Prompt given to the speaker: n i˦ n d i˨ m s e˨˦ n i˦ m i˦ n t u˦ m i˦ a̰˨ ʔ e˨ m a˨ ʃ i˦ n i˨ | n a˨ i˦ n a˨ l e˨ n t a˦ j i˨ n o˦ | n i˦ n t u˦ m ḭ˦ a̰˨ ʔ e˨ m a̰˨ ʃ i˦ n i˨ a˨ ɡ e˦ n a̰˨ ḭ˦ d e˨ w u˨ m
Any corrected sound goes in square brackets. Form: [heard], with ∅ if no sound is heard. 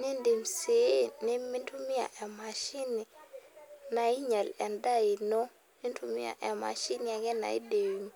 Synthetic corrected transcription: n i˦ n d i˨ m s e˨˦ n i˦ m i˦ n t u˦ m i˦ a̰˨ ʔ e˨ m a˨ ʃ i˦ n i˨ | n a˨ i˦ [ɲ] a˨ l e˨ n [d] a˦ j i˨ n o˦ | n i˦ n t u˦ m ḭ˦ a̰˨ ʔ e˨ m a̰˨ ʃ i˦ n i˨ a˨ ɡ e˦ n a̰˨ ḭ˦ d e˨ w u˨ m